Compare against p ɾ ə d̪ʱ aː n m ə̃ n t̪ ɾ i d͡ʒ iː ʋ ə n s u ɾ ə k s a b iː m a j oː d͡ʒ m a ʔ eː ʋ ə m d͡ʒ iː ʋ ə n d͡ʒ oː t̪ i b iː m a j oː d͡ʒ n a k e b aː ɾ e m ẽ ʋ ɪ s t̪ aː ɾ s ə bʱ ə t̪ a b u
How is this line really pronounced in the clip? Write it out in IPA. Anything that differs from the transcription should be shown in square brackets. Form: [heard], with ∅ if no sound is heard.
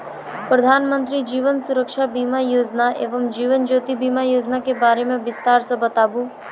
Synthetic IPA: p ɾ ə d̪ʱ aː n m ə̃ n t̪ ɾ i d͡ʒ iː ʋ ə n s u ɾ ə k [ʃ] a b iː m a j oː d͡ʒ [n] a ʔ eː ʋ ə m d͡ʒ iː ʋ ə n d͡ʒ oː t̪ i b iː m a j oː d͡ʒ n a k e b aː ɾ e m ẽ ʋ ɪ s t̪ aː ɾ s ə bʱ ə t̪ a b u